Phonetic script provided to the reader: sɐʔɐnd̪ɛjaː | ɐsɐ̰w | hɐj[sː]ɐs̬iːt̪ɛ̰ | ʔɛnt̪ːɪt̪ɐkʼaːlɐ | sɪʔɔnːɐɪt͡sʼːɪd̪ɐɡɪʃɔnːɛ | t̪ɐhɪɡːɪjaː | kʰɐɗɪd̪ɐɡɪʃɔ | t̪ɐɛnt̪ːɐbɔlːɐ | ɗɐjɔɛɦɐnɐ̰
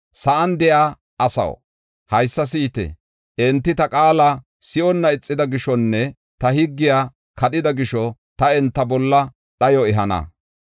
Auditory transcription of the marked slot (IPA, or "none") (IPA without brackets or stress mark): sː